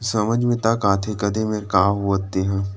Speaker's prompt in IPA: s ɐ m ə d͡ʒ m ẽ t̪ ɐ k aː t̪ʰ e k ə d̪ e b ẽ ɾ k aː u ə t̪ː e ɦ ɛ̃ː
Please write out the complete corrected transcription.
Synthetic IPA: s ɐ m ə d͡ʒ m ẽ t̪ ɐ k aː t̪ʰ e k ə d̪ e m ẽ ɾ k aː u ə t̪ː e ɦ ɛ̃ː